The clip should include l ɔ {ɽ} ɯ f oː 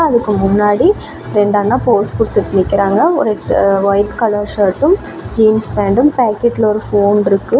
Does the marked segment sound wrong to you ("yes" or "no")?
yes